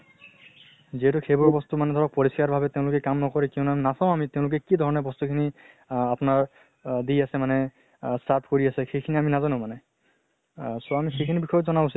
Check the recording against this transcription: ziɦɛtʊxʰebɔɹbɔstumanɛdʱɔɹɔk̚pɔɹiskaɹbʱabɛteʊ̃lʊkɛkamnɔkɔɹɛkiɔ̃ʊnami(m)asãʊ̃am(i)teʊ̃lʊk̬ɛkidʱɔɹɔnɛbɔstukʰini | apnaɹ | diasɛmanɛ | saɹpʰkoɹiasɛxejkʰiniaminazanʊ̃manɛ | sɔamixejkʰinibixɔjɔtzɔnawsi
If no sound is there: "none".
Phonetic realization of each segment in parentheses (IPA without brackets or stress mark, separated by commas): n, i